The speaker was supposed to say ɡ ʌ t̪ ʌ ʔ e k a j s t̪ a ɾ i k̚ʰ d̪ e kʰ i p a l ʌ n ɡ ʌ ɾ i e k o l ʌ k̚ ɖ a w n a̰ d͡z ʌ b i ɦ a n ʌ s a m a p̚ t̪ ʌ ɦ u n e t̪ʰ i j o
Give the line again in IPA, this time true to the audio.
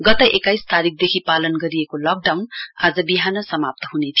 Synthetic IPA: ɡ ʌ t̪ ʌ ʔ e k a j s t̪ a ɾ i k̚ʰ d̪ e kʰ i p a l ʌ n ɡ ʌ ɾ i e k o l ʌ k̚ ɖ a w n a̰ d͡z ʌ b i ɦ a n ʌ s ʌ m a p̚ t̪ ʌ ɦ u n e t̪ʰ i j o